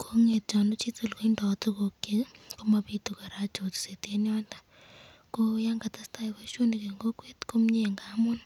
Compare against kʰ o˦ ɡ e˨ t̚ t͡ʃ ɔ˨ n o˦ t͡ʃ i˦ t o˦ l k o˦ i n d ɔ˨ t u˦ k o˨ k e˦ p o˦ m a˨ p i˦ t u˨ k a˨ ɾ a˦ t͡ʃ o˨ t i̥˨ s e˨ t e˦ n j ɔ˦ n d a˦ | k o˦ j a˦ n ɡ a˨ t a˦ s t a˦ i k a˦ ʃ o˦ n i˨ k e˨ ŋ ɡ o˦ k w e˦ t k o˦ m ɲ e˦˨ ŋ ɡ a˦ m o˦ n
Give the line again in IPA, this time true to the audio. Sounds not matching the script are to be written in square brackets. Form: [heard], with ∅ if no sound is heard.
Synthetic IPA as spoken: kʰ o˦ [ŋ] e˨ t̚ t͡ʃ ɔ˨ n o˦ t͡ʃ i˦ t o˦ l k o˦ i n d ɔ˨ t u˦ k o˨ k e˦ [k] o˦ m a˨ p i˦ t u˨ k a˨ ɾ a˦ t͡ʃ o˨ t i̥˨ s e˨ t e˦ n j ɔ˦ n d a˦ | k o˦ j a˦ [ŋ] ɡ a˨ t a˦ s t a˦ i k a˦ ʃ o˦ n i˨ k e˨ ŋ ɡ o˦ k w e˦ t k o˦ m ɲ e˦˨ ŋ ɡ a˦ m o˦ n